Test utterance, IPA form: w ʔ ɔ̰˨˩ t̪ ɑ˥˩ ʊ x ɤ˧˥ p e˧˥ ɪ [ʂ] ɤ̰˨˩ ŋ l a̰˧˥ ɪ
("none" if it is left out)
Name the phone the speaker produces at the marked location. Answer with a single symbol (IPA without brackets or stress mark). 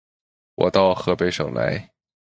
ʂ